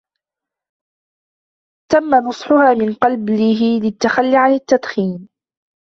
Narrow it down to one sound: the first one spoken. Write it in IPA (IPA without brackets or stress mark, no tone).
t̪